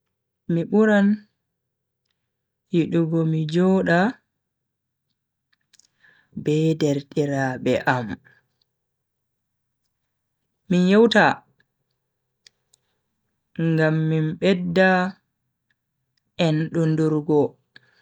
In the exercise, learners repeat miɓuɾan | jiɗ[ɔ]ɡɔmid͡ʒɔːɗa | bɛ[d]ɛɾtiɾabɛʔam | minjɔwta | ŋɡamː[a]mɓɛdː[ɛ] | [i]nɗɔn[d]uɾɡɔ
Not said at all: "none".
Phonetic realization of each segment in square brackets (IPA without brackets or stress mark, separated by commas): u, d, i, a, ɛ, d